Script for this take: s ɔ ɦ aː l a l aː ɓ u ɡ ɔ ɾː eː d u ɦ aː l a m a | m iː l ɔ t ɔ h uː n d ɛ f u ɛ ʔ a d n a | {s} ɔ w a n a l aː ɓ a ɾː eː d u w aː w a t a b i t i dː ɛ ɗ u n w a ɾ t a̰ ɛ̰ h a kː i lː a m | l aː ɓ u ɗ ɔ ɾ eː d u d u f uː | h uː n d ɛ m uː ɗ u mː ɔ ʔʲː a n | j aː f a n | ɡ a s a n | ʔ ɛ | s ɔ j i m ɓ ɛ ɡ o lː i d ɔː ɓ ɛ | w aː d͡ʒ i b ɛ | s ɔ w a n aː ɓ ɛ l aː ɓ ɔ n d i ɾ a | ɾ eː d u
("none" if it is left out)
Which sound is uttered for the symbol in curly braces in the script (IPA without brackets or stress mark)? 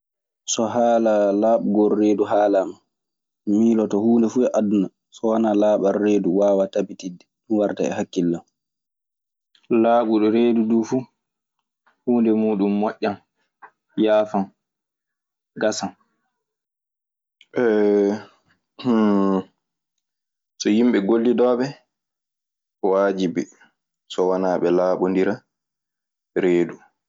s